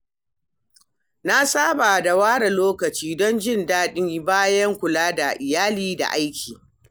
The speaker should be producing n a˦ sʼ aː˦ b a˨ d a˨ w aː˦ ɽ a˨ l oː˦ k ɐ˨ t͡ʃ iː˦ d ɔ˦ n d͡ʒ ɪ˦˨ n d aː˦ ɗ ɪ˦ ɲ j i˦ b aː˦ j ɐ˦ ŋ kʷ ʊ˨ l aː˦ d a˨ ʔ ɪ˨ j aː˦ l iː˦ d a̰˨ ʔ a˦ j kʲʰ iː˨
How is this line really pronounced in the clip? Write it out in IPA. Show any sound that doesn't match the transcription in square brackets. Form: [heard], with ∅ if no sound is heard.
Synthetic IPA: n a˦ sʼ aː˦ b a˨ d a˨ w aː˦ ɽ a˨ l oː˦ k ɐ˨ t͡ʃ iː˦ d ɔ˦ n d͡ʒ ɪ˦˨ n d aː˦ ɗ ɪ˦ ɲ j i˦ b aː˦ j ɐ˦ ŋ kʷ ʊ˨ l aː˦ d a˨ ʔ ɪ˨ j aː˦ l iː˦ d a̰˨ ʔ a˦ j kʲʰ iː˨